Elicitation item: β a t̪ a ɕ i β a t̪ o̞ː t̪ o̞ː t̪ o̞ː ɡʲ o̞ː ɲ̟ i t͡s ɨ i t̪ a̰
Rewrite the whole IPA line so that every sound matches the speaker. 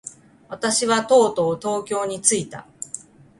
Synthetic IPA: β a t̪ a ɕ i β a t̪ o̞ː t̪ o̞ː t̪ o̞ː kʲ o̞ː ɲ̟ i t͡s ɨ i t̪ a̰